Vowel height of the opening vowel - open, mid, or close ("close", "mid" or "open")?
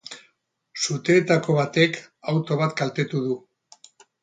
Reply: close